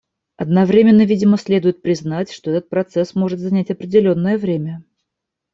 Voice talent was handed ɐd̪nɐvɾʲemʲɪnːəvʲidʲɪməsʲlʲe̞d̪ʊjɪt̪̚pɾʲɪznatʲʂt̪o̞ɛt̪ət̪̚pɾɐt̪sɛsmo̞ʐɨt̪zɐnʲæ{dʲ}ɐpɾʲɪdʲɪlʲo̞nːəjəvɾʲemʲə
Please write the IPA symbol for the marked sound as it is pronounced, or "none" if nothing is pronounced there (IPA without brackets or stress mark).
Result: tʲ